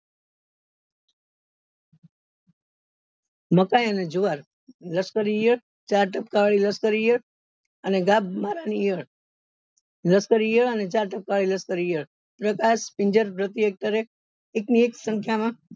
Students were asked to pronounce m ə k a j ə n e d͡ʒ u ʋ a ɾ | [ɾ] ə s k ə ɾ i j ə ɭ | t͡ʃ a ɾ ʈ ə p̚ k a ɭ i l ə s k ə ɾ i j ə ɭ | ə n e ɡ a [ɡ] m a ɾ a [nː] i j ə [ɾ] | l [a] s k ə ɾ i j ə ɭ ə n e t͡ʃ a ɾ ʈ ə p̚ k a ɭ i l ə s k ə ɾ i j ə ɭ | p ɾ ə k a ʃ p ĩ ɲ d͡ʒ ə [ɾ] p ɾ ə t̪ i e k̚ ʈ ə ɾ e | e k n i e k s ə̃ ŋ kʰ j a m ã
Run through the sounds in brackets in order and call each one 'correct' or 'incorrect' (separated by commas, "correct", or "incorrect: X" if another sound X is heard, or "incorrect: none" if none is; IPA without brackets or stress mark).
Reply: incorrect: l, incorrect: b, incorrect: n, incorrect: ɭ, incorrect: ə, correct